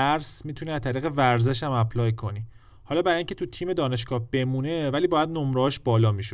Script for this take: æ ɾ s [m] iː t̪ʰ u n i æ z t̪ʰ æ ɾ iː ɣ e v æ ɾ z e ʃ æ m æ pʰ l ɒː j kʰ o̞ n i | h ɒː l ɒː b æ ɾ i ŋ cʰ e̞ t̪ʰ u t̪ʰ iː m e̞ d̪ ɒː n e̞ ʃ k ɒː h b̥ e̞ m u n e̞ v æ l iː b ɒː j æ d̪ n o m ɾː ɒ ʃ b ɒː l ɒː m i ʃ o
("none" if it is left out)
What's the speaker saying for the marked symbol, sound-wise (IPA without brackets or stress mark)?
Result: m